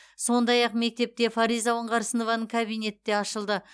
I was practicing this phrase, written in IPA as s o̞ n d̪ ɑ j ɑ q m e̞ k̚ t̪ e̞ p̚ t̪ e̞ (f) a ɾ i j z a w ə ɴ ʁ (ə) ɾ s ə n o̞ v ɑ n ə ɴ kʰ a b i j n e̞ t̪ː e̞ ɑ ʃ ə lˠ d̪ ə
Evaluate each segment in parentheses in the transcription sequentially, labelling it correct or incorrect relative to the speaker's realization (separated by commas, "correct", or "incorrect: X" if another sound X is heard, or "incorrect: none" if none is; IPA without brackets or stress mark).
correct, incorrect: ɑ